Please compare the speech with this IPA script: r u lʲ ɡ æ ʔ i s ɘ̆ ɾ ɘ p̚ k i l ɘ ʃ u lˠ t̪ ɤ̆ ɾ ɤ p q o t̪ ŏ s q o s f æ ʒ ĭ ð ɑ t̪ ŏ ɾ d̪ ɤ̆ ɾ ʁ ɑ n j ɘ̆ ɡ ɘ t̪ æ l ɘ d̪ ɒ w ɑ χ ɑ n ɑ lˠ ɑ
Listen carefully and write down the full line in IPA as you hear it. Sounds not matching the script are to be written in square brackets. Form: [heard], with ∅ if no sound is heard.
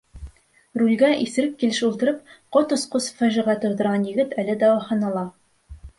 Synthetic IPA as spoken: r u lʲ ɡ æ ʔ i s ɘ̆ ɾ ɘ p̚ k i l ɘ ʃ u lˠ t̪ ɤ̆ ɾ ɤ p q o t̪ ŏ s q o s f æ ʒ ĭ [ʁ] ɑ t̪ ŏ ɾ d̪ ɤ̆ ɾ ʁ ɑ n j ɘ̆ ɡ ɘ t̪ æ l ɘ d̪ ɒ w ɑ χ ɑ n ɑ lˠ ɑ